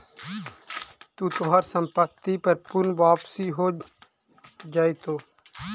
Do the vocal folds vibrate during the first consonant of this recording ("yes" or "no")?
no